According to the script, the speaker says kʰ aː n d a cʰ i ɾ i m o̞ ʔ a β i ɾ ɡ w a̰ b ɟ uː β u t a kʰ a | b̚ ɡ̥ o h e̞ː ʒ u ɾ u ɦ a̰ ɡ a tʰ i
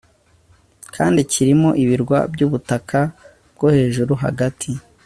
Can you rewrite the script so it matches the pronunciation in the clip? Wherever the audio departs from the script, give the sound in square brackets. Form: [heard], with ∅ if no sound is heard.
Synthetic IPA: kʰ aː n d [i] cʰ i ɾ i m o̞ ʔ [i] β i ɾ ɡ w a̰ b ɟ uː β u t a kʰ a | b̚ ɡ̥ o h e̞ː ʒ u ɾ u ɦ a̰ ɡ a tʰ i